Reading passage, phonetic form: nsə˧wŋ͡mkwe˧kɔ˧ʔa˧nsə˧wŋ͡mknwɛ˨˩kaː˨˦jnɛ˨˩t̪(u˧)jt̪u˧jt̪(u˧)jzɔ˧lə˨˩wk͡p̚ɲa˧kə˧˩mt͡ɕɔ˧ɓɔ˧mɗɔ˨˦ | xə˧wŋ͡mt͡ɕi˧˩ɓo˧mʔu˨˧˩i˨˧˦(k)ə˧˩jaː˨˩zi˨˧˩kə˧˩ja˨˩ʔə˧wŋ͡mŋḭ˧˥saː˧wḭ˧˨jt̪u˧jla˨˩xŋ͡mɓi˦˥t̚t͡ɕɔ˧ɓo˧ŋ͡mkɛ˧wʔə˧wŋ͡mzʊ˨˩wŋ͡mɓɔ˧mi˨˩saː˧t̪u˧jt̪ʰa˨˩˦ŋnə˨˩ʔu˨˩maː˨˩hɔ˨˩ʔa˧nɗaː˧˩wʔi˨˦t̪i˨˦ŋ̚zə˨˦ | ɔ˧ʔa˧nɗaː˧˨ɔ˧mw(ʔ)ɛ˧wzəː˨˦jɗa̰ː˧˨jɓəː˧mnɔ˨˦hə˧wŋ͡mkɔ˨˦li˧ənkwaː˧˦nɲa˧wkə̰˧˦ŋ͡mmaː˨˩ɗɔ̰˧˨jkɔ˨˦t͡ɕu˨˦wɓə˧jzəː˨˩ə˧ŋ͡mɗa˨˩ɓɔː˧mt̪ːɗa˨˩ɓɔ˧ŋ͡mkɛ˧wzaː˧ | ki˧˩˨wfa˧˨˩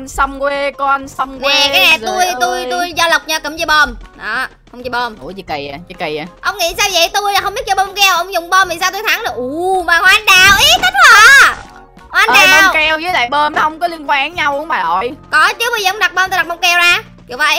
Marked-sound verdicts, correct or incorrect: correct, correct, correct, incorrect: k

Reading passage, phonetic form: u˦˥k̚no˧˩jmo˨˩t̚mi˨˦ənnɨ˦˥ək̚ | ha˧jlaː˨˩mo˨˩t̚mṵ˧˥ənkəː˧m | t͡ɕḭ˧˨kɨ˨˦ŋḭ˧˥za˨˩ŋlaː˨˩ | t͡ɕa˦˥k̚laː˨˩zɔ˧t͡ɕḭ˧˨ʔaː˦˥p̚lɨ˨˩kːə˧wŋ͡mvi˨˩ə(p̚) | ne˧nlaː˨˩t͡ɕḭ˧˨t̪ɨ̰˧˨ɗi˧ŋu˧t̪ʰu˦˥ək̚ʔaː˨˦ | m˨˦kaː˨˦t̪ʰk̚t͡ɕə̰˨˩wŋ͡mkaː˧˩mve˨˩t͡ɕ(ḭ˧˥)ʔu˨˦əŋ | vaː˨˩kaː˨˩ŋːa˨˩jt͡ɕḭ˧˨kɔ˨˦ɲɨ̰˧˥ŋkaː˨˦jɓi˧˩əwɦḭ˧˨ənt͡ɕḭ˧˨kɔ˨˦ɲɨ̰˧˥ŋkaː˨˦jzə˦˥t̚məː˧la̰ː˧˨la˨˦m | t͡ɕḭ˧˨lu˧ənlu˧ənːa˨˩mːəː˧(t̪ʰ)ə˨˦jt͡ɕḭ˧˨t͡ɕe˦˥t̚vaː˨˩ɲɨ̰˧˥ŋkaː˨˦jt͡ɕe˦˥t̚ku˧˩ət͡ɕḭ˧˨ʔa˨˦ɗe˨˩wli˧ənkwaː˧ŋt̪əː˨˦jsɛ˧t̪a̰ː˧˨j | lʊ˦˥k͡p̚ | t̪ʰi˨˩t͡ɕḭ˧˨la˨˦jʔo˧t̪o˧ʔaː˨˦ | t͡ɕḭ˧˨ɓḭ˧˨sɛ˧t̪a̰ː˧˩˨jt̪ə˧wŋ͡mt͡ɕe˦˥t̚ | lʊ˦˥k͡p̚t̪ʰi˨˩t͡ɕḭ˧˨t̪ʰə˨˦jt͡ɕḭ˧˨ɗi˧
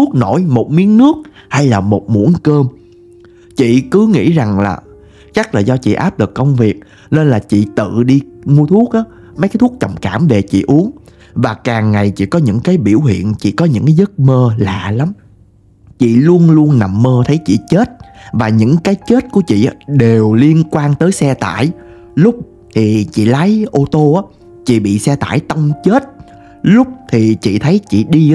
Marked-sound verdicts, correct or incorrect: incorrect: k̚, incorrect: ḭ˧˨, correct

